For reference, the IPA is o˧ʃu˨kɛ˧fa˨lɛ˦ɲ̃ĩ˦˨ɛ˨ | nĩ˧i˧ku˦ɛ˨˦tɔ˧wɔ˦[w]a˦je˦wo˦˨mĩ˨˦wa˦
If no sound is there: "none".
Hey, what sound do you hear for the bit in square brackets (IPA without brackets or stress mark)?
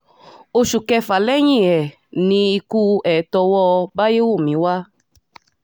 b